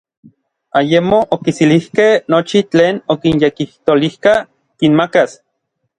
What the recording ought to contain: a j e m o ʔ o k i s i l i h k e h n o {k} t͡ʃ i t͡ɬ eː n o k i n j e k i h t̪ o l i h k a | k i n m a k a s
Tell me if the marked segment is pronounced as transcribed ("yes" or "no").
no